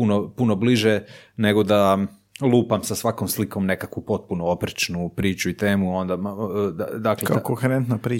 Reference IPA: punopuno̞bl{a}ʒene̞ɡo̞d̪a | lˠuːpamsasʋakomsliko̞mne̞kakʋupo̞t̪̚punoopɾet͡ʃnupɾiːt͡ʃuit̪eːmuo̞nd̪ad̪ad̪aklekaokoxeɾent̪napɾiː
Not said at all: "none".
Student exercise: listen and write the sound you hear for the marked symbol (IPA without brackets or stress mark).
i